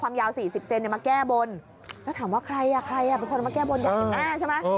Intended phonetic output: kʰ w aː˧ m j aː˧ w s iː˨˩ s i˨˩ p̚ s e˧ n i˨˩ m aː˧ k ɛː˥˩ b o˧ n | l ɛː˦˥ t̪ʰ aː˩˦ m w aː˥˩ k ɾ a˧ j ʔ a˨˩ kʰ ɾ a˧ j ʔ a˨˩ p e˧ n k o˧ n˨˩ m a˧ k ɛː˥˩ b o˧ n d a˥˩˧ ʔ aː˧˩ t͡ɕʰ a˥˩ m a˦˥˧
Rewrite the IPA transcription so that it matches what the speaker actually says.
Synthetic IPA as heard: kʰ w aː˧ m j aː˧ w s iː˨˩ s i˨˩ p̚ s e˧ n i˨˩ m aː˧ k ɛː˥˩ b o˧ n | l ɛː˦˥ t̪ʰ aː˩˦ m w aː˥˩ kʰ ɾ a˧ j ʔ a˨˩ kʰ ɾ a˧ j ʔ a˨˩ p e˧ n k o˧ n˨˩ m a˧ k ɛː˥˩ b o˧ n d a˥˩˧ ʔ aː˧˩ t͡ɕʰ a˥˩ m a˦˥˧